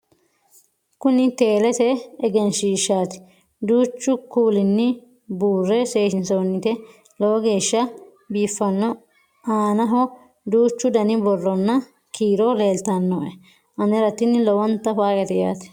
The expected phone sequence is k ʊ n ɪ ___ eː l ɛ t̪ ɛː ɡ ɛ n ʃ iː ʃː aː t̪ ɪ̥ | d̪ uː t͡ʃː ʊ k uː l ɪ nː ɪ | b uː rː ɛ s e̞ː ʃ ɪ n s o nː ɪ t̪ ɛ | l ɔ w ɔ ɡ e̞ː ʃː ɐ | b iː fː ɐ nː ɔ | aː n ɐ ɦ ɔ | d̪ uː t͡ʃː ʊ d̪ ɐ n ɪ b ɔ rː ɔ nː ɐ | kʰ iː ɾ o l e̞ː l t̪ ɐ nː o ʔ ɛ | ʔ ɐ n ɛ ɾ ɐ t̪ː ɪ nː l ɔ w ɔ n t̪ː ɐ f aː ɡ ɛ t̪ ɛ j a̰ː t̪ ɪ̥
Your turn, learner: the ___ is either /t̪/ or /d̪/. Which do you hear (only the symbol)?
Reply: t̪